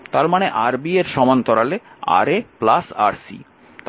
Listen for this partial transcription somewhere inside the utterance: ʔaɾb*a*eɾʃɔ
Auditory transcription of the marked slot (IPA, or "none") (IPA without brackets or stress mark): i